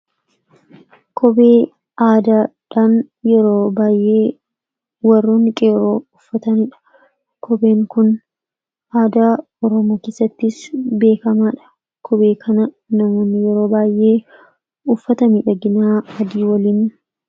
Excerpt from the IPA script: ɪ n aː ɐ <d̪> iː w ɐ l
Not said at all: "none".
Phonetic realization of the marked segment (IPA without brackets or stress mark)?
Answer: d̪